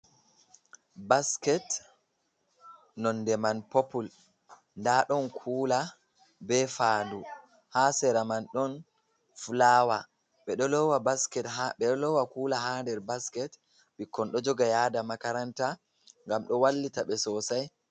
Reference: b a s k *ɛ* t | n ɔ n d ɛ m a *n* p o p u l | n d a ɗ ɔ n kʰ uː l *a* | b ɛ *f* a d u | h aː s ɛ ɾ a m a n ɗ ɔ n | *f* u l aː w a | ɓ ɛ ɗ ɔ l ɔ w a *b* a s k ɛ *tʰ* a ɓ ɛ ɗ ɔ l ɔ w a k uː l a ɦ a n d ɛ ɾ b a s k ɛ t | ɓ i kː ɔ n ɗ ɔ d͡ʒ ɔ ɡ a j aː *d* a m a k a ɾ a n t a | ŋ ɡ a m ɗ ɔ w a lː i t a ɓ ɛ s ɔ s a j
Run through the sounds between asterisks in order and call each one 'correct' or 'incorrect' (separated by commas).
correct, correct, correct, correct, correct, correct, incorrect, correct